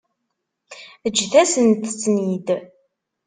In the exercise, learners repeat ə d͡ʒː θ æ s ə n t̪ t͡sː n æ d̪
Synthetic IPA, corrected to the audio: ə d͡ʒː θ æ s ə n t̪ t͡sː n i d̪